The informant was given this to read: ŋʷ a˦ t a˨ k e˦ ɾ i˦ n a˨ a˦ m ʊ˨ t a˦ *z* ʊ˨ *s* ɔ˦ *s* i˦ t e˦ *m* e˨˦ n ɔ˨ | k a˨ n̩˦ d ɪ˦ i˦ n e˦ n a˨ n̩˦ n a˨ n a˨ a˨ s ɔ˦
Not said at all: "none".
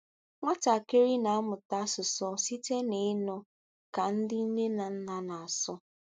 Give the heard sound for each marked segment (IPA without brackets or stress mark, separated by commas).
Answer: s, s, s, n